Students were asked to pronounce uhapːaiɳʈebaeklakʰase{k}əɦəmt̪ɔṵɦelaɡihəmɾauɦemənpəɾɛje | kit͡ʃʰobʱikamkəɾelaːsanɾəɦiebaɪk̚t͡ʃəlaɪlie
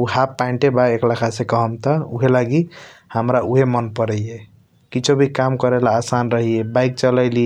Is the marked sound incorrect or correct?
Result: correct